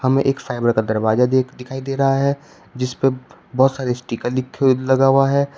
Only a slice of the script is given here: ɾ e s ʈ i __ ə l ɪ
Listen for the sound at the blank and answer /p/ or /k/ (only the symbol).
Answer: k